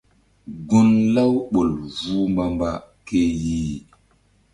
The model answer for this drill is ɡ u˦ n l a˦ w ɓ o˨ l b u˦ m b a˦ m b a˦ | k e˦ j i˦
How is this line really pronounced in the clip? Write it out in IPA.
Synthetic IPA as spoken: ɡ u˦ n l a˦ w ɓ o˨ l v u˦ m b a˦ m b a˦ | k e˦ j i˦